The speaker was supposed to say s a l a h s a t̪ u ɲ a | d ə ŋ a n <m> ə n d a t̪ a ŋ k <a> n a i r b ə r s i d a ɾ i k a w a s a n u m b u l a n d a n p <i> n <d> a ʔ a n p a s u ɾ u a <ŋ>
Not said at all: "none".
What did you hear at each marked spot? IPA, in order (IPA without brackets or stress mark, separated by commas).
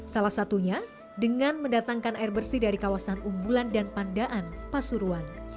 m, a, a, d, n